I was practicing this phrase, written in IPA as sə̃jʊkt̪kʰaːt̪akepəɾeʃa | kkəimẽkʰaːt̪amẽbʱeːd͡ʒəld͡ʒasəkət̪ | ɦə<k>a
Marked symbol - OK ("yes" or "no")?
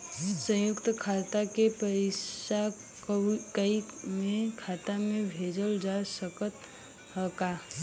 yes